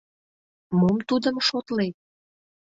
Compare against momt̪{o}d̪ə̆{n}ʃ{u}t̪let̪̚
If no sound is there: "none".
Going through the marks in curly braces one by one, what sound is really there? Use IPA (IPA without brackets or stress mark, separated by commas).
u, m, o